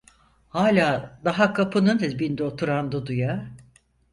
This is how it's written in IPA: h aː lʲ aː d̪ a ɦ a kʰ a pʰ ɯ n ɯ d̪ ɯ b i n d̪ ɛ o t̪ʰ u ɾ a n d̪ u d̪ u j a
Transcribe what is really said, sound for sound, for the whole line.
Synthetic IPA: h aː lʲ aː d̪ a ɦ a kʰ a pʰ ɯ n ɯ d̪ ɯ b i n d̪ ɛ o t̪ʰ u ɾ a n d̪ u d̪ u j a